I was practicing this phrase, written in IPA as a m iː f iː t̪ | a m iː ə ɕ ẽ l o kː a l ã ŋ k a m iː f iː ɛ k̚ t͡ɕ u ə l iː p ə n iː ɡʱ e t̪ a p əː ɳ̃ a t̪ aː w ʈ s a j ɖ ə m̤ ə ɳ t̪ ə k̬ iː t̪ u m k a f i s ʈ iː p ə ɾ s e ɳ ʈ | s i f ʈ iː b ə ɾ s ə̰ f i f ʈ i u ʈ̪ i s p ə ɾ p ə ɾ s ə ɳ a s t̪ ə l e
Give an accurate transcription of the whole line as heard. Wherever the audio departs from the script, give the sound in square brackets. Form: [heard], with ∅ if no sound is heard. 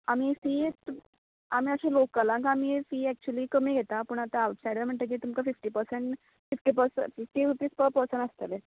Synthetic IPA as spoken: a m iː f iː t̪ | a m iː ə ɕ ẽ l o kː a l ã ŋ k a m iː f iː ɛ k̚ t͡ɕ u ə l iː [k] ə [m] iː ɡʱ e t̪ a p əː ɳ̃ a t̪ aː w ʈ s a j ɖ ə m̤ ə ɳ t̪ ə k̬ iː t̪ u m k a f i [f] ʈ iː p ə ɾ s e ɳ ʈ | [f] i f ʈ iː [p] ə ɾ s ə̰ f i f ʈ i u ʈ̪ i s p ə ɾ p ə ɾ s ə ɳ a s t̪ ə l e